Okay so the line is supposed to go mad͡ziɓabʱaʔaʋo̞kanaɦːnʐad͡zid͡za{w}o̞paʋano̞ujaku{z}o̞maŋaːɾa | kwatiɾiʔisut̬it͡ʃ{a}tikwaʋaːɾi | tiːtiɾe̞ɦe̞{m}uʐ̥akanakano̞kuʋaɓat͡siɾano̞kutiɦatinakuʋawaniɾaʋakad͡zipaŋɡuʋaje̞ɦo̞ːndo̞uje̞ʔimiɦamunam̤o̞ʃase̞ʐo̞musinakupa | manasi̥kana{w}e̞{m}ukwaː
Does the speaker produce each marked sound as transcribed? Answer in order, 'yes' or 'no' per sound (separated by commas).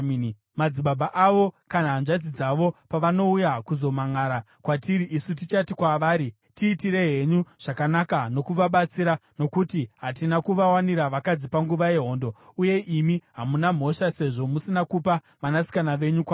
no, yes, yes, no, no, no